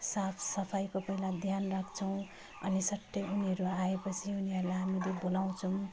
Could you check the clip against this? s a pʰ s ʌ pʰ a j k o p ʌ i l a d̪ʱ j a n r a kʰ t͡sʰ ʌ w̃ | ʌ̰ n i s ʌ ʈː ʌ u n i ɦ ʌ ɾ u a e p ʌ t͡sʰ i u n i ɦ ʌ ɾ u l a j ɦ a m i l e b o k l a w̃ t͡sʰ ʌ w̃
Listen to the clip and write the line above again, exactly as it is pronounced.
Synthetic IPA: s a pʰ s ʌ pʰ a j k o p ʌ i l a d̪ʱ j a n r a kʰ t͡sʰ ʌ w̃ | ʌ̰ n i s ʌ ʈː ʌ u n i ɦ ʌ ɾ u a e p ʌ t͡sʰ i u n i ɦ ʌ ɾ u l a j ɦ a m i l e b o l a w̃ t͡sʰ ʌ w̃